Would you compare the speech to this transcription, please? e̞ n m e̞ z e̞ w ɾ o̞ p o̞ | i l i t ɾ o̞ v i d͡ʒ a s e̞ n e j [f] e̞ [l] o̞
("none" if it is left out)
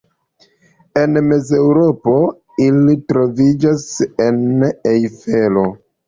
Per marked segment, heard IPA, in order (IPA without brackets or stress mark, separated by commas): f, l